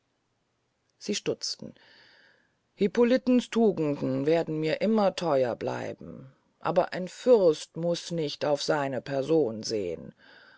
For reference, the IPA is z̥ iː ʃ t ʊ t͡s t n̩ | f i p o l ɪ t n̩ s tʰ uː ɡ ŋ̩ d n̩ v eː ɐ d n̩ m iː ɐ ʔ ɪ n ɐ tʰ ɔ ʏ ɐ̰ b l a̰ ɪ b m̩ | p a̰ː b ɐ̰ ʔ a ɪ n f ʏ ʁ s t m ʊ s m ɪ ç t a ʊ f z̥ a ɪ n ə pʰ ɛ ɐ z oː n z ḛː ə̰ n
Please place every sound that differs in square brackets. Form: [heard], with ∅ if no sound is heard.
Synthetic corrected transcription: z̥ iː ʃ t ʊ t͡s t n̩ | [h] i p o l ɪ t n̩ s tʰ uː ɡ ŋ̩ d n̩ v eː ɐ d n̩ m iː ɐ ʔ ɪ [m] ɐ tʰ ɔ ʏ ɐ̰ b l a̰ ɪ b m̩ | [ʔ] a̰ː b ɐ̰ ʔ a ɪ n f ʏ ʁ s t m ʊ s [n] ɪ ç t a ʊ f z̥ a ɪ n ə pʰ ɛ ɐ z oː n z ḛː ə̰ n